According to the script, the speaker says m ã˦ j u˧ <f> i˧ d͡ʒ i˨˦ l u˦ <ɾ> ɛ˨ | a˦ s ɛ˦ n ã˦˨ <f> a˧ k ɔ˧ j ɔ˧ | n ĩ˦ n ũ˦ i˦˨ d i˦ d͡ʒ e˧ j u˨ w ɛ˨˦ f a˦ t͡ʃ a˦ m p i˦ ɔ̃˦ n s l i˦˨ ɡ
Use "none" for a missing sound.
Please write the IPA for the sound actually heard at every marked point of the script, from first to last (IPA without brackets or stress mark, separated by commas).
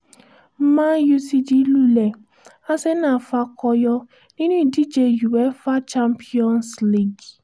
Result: s, l, f